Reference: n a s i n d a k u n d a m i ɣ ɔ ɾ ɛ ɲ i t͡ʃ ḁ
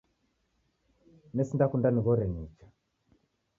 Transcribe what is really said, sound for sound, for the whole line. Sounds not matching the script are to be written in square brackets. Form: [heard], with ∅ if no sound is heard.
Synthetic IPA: n [ɛ] s i n d a k u n d a [n] i ɣ ɔ ɾ ɛ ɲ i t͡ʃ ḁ